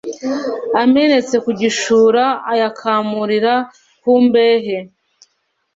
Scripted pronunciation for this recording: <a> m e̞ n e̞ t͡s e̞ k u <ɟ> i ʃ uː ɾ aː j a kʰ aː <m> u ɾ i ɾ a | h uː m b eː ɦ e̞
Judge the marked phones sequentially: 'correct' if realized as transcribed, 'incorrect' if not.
correct, correct, correct

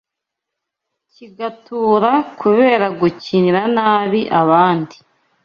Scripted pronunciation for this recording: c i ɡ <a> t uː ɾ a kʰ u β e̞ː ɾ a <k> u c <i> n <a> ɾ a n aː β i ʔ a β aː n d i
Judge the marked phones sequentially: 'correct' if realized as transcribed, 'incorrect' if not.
correct, incorrect: ɡ, correct, incorrect: i

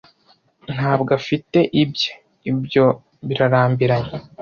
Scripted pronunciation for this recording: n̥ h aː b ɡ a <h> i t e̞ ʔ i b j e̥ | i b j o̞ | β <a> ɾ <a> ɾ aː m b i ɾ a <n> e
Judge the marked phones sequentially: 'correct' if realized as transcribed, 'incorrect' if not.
incorrect: f, incorrect: i, correct, incorrect: ɲ

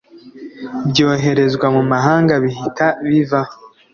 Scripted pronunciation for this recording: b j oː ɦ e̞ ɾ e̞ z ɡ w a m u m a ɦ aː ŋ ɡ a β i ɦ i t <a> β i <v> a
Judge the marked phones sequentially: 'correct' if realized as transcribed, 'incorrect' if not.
correct, correct

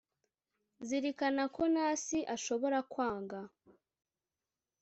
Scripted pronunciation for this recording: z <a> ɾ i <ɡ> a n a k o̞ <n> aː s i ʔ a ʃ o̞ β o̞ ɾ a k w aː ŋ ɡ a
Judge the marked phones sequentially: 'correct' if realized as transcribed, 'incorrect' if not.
incorrect: i, incorrect: k, correct

